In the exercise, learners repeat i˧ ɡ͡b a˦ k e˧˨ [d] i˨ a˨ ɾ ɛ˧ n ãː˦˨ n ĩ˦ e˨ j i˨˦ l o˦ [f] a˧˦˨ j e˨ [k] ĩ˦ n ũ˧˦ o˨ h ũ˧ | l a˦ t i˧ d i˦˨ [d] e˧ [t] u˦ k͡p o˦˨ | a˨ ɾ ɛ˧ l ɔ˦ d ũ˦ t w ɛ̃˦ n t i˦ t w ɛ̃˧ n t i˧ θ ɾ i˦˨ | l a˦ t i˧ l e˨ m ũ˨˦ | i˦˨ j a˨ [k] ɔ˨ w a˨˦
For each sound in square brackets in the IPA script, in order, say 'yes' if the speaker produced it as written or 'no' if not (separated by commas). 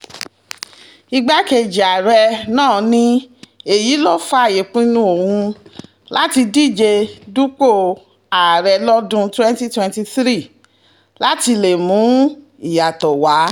no, yes, no, no, no, no